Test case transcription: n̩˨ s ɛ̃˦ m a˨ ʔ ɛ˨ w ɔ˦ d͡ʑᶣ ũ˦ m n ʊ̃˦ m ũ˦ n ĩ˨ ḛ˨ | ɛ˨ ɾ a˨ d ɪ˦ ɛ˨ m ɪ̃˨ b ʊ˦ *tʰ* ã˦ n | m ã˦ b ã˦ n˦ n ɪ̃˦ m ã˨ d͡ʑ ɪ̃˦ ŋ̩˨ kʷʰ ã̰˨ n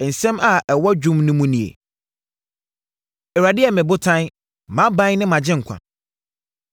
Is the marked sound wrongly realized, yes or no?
no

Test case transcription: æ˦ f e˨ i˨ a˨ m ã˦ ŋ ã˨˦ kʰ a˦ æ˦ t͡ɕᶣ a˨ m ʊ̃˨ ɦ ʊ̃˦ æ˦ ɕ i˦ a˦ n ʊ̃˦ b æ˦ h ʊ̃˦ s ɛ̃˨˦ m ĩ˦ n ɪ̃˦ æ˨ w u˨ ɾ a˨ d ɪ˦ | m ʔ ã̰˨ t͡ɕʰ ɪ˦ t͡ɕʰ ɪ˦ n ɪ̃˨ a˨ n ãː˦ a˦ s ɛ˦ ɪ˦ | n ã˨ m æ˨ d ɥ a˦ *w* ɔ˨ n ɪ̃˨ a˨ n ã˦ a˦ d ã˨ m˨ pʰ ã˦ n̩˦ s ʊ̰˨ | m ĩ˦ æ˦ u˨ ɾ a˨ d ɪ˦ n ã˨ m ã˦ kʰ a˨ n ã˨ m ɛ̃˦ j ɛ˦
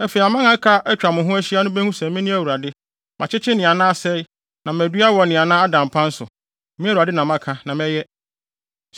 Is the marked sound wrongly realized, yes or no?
no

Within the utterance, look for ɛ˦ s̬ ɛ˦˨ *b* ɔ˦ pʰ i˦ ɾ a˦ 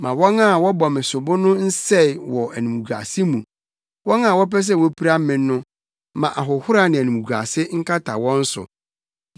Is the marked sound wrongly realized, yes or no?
yes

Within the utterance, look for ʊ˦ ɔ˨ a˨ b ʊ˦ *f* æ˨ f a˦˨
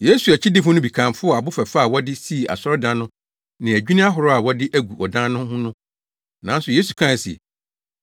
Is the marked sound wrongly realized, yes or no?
no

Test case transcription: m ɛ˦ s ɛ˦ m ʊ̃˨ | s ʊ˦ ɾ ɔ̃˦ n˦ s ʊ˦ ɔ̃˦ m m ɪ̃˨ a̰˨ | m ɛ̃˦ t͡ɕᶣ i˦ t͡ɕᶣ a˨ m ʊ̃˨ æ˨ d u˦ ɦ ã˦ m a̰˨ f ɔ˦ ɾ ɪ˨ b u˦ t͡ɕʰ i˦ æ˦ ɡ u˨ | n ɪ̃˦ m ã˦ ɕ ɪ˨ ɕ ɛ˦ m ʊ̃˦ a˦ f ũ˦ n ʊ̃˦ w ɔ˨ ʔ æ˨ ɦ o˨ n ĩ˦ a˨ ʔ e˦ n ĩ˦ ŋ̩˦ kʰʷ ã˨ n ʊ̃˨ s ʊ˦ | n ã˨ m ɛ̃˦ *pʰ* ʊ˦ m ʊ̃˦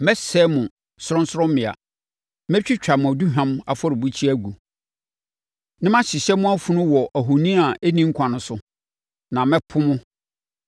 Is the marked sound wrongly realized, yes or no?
no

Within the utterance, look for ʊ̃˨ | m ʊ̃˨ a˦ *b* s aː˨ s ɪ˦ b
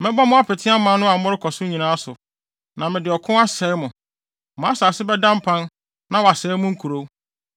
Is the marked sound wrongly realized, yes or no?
yes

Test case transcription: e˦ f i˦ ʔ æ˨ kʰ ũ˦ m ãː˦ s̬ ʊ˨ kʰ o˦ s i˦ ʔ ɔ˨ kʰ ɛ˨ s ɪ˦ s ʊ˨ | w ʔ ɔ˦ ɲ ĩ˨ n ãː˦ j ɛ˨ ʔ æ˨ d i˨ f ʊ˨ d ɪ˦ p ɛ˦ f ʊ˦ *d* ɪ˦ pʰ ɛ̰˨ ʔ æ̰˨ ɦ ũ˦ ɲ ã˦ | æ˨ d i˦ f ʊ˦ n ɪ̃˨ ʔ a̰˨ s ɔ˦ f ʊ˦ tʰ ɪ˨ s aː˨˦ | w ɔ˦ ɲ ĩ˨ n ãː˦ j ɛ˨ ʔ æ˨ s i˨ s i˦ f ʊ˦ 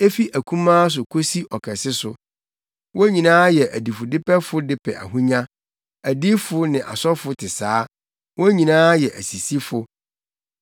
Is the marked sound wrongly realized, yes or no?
no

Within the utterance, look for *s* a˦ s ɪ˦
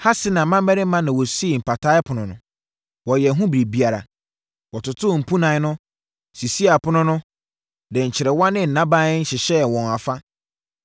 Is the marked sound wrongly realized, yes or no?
yes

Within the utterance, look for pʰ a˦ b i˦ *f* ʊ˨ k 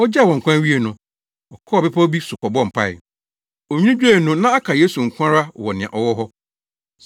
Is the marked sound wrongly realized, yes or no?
yes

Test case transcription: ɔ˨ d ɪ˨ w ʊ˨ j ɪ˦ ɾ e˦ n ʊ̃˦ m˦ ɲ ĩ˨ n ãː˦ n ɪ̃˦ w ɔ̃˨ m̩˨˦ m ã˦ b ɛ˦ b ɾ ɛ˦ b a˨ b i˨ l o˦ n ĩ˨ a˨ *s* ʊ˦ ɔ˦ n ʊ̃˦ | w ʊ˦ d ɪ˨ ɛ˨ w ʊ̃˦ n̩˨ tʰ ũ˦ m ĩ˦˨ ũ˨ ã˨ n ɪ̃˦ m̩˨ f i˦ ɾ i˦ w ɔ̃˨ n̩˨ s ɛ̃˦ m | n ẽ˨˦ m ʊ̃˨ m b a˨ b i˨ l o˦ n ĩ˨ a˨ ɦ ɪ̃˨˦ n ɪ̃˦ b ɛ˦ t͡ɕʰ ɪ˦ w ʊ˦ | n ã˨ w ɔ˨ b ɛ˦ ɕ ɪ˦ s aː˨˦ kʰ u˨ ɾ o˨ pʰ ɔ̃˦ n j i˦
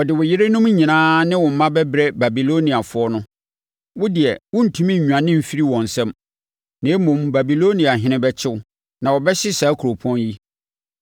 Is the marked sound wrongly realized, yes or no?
yes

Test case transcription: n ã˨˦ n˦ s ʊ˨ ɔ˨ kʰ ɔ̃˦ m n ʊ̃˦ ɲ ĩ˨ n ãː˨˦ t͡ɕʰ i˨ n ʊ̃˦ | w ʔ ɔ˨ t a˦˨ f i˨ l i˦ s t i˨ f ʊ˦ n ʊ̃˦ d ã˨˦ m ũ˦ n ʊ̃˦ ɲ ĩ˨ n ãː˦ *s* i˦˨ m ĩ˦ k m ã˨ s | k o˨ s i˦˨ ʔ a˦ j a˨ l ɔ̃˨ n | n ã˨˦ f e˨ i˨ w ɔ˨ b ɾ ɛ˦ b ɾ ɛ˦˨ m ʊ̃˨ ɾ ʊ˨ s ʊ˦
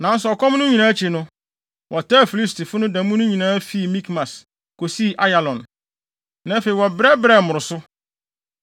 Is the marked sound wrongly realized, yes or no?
yes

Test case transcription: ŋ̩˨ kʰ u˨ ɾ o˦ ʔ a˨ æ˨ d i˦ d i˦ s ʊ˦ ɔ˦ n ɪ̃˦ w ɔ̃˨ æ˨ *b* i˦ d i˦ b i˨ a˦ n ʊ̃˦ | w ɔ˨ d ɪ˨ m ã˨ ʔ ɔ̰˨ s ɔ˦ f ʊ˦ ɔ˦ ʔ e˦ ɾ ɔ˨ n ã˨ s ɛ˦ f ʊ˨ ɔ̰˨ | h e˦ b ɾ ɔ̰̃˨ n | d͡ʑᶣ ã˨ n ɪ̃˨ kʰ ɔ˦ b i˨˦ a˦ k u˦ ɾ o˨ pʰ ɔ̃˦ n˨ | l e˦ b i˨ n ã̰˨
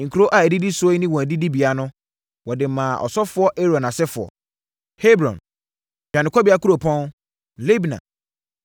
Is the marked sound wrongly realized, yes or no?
yes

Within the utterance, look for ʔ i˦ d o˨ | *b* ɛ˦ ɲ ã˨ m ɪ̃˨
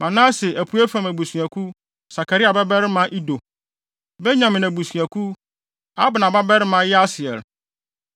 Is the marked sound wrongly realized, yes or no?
no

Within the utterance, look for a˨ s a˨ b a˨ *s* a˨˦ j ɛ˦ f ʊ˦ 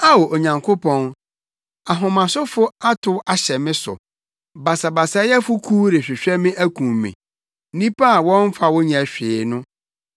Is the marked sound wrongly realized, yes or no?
no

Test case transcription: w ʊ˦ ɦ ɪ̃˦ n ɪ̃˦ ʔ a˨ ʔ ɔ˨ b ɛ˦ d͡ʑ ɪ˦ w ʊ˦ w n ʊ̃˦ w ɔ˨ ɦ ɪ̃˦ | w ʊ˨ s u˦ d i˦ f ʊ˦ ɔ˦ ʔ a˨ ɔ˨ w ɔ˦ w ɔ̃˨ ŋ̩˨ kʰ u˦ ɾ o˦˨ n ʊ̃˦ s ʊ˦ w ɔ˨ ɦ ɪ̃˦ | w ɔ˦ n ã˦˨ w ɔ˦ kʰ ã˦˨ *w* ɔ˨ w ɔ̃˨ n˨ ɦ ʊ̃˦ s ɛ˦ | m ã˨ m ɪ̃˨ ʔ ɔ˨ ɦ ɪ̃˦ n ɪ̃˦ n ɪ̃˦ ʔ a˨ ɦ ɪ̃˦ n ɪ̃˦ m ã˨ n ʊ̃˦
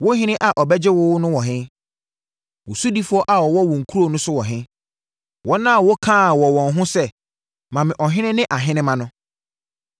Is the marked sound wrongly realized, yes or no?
no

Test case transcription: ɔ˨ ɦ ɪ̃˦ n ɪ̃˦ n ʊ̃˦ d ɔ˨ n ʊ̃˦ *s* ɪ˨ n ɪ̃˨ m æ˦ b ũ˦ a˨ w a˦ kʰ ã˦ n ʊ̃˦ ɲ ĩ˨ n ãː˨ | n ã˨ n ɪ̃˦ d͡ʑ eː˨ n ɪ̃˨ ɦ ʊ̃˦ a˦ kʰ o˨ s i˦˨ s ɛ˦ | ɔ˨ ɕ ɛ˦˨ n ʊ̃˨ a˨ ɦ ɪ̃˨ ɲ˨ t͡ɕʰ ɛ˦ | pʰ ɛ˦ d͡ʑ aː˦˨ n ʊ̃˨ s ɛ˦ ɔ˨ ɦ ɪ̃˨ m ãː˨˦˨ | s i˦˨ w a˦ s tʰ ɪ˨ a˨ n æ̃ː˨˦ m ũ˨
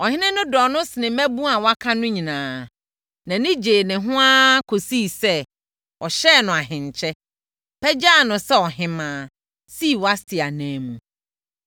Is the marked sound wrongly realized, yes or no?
no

